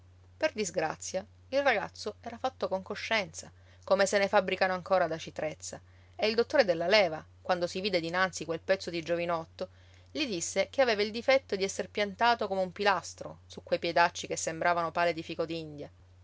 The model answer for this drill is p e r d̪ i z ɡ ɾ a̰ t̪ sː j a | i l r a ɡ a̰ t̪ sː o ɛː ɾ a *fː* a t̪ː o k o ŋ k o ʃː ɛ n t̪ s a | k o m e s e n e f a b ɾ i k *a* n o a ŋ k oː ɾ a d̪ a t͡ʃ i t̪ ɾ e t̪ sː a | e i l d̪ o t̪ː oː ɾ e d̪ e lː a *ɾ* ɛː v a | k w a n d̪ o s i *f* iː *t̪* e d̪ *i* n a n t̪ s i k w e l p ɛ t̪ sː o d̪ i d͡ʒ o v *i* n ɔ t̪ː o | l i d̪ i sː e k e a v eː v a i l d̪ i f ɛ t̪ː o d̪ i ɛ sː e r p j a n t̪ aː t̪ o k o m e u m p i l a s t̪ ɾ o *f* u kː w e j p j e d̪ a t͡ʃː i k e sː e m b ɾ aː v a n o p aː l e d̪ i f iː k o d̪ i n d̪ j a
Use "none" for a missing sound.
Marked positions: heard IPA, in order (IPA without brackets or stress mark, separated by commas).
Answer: f, a, l, v, d̪, i, i, s